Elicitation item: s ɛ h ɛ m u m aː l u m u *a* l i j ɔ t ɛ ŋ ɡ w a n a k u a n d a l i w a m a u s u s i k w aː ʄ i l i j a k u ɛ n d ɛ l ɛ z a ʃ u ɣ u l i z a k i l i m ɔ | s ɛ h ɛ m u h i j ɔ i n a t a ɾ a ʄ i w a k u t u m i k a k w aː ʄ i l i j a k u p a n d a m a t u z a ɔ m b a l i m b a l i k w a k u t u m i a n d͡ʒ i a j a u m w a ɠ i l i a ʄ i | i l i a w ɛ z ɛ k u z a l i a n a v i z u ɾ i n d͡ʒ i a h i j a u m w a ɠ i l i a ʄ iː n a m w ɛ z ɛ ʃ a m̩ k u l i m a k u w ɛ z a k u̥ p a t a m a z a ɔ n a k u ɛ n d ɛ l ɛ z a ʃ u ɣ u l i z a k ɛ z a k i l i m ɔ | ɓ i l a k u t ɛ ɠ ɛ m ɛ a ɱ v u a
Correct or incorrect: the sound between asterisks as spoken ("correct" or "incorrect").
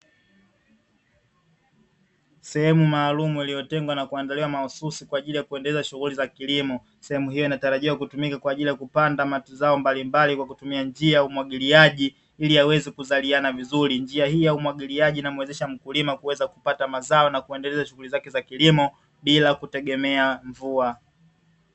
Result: incorrect